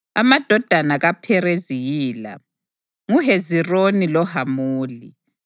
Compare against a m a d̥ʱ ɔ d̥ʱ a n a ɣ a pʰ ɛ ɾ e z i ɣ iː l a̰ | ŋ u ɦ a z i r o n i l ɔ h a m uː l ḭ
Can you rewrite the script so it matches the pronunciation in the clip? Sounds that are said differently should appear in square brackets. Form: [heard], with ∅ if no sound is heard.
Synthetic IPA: a m a d̥ʱ ɔ d̥ʱ a n a ɣ a pʰ ɛ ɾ e z i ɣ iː l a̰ | ŋ u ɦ [e] z i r o n i l ɔ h a m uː l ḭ